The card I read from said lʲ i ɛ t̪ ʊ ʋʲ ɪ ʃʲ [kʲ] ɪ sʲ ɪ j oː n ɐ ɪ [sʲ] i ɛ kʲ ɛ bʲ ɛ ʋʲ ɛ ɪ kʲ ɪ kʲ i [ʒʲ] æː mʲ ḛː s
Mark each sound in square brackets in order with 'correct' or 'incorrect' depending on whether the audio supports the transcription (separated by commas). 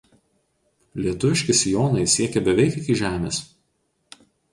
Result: correct, correct, correct